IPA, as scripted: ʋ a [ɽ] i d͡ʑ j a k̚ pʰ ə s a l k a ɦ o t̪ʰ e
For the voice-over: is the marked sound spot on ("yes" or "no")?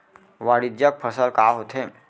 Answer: yes